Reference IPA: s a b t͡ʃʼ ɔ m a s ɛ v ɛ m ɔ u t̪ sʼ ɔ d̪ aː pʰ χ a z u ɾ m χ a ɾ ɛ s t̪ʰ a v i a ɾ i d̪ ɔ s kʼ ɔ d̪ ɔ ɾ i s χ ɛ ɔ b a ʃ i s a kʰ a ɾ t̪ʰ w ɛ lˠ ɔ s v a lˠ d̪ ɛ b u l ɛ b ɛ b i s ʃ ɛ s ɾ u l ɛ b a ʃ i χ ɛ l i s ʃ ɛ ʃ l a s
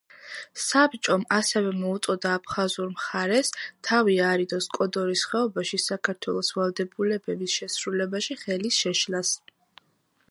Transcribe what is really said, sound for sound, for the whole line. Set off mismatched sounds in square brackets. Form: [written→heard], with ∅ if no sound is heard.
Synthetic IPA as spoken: s a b t͡ʃʼ ɔ m a s ɛ v ɛ m ɔ u t̪ sʼ ɔ d̪ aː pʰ χ a z u ɾ m χ a ɾ ɛ s t̪ʰ a v i a ɾ i d̪ ɔ s kʼ ɔ d̪ ɔ ɾ i s χ ɛ ɔ b a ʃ i s a kʰ a ɾ t̪ʰ w ɛ lˠ ɔ s v a lˠ d̪ ɛ b u l ɛ b ɛ b i s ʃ ɛ s ɾ u l ɛ b a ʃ i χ ɛ l i s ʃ ɛ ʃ l a s